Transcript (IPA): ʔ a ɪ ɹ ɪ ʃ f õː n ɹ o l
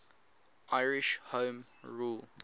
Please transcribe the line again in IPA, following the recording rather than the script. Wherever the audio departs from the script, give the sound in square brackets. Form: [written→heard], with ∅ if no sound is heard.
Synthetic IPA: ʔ a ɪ ɹ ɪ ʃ [f→h] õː [n→m] ɹ [o→u] l